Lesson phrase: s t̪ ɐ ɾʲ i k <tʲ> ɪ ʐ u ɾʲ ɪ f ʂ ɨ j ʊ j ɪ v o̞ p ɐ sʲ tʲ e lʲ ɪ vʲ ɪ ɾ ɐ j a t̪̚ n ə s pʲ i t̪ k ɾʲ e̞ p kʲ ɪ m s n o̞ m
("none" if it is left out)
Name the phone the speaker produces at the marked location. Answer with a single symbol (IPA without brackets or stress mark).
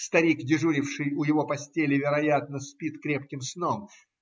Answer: dʲ